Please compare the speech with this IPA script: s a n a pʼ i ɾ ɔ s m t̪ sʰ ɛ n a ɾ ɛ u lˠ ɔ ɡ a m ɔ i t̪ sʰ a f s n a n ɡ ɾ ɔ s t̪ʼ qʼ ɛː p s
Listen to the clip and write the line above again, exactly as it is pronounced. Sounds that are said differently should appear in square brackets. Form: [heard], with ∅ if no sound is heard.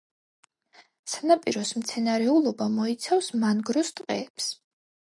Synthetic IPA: s a n a pʼ i ɾ ɔ s m t̪ sʰ ɛ n a ɾ ɛ u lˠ ɔ [b] a m ɔ i t̪ sʰ a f s [m] a n ɡ ɾ ɔ s t̪ʼ qʼ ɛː p s

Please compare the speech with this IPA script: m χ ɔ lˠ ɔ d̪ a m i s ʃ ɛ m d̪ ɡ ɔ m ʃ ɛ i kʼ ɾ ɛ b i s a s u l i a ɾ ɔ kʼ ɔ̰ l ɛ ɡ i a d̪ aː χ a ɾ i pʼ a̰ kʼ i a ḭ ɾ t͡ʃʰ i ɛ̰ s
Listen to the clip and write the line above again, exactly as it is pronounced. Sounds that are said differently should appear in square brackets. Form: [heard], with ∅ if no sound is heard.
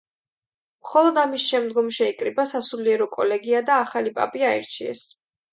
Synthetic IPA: m χ ɔ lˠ ɔ d̪ a m i s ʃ ɛ m d̪ ɡ ɔ m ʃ ɛ i kʼ ɾ [i] b [a] s a s u l i [ɛ] ɾ ɔ kʼ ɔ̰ l ɛ ɡ i a d̪ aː χ a [l] i pʼ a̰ [pʼ] i a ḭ ɾ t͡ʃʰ i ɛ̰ s

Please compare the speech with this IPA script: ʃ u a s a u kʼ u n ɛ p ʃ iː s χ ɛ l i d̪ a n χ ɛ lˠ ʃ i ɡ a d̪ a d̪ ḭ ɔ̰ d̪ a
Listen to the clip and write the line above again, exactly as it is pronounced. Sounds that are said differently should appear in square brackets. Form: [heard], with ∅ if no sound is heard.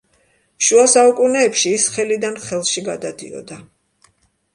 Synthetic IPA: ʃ u a s a u kʼ u n [ɛː] p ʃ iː s χ ɛ l i d̪ a n χ ɛ lˠ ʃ i ɡ a d̪ a d̪ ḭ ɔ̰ d̪ a

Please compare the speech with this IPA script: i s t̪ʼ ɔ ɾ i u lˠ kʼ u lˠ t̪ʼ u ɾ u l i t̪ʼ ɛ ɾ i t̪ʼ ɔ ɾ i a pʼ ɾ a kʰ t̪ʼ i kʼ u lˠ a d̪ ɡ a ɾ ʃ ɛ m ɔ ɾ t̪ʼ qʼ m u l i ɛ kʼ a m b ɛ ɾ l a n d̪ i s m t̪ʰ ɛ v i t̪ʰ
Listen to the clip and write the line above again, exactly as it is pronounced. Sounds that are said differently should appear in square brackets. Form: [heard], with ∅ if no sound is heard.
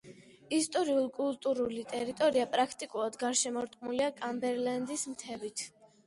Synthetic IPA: i s t̪ʼ ɔ ɾ i u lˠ kʼ u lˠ t̪ʼ u ɾ u l i t̪ʼ ɛ ɾ i t̪ʼ ɔ ɾ i a pʼ ɾ a kʰ t̪ʼ i kʼ u lˠ a d̪ ɡ a ɾ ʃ ɛ m ɔ ɾ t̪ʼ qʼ m u l i [a] kʼ a m b ɛ ɾ l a n d̪ i s m t̪ʰ ɛ v i t̪ʰ

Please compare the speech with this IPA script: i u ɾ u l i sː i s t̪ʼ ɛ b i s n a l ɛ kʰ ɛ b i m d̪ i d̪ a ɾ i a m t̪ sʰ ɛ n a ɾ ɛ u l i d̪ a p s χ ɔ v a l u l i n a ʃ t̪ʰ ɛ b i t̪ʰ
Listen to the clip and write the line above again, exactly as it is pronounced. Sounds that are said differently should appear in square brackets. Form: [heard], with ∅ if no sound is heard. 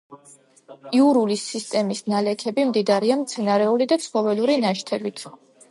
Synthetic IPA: i u ɾ u l i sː i s t̪ʼ ɛ [m] i s n a l ɛ kʰ ɛ b i m d̪ i d̪ a ɾ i a m t̪ sʰ ɛ n a ɾ ɛ u l i d̪ a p s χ ɔ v [ɛ] l u [ɾ] i n a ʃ t̪ʰ ɛ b i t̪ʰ

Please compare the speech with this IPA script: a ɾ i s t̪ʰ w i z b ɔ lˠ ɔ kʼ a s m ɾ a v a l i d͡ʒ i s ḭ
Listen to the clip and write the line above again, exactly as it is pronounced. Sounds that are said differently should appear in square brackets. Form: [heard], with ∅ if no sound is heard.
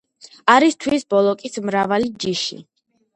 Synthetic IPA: a ɾ i s t̪ʰ w i [s] b ɔ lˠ ɔ kʼ [i] s m ɾ a v a l i d͡ʒ i [ʃ] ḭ

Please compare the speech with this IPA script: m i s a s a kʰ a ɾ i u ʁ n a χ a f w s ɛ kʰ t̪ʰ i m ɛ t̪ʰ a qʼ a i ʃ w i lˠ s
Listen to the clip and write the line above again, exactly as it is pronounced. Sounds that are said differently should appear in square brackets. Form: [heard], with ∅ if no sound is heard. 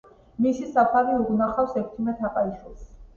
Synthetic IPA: m i s [i] s a [pʰ] a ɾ i u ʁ n a χ a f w s ɛ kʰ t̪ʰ i m ɛ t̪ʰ a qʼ a i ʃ w i lˠ s

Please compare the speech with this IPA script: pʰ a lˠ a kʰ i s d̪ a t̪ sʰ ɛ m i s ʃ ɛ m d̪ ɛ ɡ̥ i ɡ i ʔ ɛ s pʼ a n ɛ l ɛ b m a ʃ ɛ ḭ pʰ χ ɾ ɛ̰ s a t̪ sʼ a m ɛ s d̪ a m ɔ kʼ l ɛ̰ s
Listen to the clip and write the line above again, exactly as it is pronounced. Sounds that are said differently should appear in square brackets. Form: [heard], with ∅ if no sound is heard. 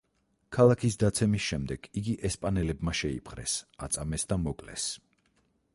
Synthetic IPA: [kʰ] a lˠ a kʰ i s d̪ a t̪ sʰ ɛ m i s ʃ ɛ m d̪ ɛ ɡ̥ i ɡ i ʔ ɛ s pʼ a n ɛ l ɛ b m a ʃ ɛ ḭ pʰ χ ɾ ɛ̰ s a t̪ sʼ a m ɛ s d̪ a m ɔ kʼ l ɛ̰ s

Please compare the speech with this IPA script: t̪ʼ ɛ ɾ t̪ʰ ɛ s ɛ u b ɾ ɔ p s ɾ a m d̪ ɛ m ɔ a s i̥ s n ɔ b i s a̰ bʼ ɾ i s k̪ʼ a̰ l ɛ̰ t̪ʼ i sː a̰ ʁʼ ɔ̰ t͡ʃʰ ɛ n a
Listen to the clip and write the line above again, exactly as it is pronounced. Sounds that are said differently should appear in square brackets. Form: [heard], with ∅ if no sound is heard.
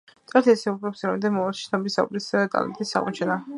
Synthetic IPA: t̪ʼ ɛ ɾ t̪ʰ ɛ s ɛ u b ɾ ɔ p s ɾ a m d̪ ɛ m ɔ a [ʃ] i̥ s n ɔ b i s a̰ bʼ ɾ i s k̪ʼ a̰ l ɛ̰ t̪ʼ i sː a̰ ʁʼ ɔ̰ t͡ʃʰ ɛ n a

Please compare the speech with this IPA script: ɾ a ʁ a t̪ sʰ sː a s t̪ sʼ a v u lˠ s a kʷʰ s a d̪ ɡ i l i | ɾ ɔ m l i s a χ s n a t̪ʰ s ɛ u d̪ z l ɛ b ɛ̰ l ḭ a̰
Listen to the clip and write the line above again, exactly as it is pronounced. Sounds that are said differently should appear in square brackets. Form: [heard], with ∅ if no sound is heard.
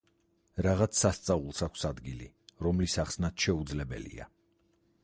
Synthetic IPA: ɾ a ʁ a t̪ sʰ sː a s t̪ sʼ a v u lˠ s a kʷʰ s a d̪ ɡ i l i | ɾ ɔ m l i s a χ s n a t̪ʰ [ʃ] ɛ u d̪ z l ɛ b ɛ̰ l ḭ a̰

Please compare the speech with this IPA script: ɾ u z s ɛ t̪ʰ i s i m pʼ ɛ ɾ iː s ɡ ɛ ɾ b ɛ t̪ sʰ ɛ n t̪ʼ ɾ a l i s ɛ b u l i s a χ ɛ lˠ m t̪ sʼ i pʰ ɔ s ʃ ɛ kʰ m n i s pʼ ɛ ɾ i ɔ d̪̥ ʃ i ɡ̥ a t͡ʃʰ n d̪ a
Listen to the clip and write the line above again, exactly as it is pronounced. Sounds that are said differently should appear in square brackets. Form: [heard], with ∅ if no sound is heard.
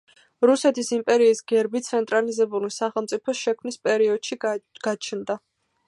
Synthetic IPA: ɾ u [∅] s ɛ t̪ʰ i s i m pʼ ɛ ɾ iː s ɡ ɛ ɾ b [i] t̪ sʰ ɛ n t̪ʼ ɾ a l i [z] ɛ b u l i s a χ ɛ lˠ m t̪ sʼ i pʰ ɔ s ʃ ɛ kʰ m n i s pʼ ɛ ɾ i ɔ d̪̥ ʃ i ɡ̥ a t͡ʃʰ n d̪ a

